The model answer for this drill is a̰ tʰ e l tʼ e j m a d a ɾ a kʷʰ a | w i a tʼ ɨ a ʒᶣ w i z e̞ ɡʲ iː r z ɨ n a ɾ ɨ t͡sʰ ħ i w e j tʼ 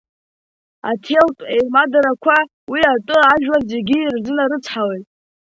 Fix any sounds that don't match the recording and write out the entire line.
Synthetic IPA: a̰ tʰ e l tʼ e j m a d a ɾ a kʷʰ a | w i a tʼ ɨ a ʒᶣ w a z e̞ ɡʲ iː r z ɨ n a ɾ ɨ t͡sʰ ħ a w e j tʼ